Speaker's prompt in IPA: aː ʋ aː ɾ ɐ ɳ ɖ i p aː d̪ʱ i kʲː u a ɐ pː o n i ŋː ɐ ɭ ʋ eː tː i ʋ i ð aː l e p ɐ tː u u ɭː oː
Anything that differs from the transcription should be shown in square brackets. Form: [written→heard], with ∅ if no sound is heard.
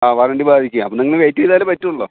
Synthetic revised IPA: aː ʋ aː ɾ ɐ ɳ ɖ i [p→b] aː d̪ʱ i kʲː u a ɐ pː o n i ŋː ɐ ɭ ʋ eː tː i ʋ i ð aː l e p ɐ tː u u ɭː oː